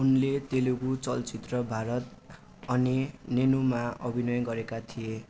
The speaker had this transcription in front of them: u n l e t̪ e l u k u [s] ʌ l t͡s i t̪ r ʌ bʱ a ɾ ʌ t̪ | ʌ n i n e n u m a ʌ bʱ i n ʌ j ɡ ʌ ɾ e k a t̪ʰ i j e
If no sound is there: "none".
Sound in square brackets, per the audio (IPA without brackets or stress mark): t͡s